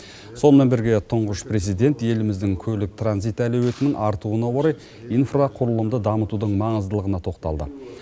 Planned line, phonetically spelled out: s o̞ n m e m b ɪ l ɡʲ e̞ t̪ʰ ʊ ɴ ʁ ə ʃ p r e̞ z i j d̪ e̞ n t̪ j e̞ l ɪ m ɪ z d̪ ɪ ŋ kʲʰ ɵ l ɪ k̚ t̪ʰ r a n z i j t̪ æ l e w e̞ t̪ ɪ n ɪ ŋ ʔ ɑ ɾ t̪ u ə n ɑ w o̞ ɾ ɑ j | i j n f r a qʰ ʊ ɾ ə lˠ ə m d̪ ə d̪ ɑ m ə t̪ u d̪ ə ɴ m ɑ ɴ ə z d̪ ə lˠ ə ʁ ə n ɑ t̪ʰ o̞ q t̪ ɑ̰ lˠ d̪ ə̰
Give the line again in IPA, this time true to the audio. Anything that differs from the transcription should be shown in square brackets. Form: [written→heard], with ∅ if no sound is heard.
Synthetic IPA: s o̞ n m e [m→n] b ɪ [l→ɾ] ɡʲ e̞ t̪ʰ ʊ ɴ ʁ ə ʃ p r e̞ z i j d̪ e̞ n t̪ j e̞ l ɪ m ɪ z d̪ ɪ ŋ kʲʰ ɵ l ɪ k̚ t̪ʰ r a n z i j t̪ æ l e w e̞ t̪ ɪ n ɪ ŋ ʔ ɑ ɾ t̪ u ə n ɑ w o̞ ɾ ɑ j | i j n f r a qʰ ʊ ɾ ə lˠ ə m d̪ ə d̪ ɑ m ə t̪ u d̪ ə ɴ m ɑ ɴ ə z d̪ ə lˠ ə ʁ ə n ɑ t̪ʰ o̞ q t̪ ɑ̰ lˠ d̪ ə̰